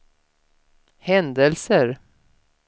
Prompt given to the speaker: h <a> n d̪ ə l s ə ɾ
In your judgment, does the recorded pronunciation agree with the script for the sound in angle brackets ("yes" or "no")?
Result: no